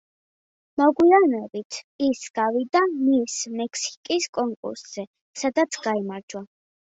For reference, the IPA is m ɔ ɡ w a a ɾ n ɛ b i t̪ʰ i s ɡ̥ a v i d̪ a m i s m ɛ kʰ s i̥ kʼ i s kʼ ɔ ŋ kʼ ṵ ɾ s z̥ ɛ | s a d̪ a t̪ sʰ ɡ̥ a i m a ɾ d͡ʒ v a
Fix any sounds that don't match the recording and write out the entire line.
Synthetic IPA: m ɔ ɡ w i a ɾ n ɛ b i t̪ʰ i s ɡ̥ a v i d̪ a m i s m ɛ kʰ s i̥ kʼ i s kʼ ɔ ŋ kʼ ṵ ɾ s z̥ ɛ | s a d̪ a t̪ sʰ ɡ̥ a i m a ɾ d͡ʒ w a